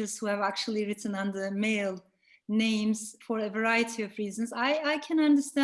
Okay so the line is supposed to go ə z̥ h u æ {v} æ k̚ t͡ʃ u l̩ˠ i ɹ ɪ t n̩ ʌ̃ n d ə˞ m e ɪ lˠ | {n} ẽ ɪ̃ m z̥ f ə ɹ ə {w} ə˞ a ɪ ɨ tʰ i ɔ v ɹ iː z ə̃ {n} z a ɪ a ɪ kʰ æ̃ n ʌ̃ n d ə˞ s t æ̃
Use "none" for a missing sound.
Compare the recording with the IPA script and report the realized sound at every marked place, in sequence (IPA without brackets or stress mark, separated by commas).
v, n, v, n